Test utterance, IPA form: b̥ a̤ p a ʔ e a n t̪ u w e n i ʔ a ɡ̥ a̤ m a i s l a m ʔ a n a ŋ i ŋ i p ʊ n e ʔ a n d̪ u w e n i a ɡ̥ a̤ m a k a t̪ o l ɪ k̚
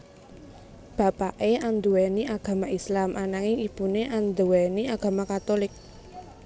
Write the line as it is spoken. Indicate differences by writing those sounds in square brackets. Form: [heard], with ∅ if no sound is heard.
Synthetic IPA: b̥ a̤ p a ʔ e a n [d̪] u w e n i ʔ a ɡ̥ a̤ m a i s l a m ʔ a n a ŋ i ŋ i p [u] n e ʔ a n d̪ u w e n i a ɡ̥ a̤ m a k a t̪ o l ɪ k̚